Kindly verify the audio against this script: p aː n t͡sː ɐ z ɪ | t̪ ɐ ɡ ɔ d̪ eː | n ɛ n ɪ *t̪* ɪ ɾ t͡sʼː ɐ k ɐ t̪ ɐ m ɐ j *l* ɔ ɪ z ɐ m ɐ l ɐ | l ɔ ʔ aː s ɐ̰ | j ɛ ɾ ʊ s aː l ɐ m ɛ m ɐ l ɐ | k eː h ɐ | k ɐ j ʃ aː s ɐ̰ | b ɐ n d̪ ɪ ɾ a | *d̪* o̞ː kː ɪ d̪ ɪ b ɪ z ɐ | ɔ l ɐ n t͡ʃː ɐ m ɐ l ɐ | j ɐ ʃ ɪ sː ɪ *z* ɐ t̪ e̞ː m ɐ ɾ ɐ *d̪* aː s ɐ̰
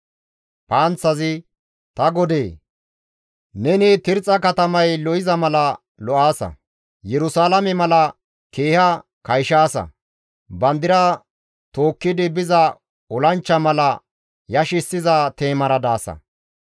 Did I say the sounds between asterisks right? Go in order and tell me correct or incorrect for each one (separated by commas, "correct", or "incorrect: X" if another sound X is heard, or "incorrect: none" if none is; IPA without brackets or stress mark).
correct, correct, incorrect: t̪, correct, correct